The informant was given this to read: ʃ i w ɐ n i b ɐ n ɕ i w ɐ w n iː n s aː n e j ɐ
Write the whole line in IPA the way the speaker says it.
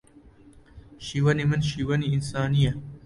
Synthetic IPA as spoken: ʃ i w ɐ n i m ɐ n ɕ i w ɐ n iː n s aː n i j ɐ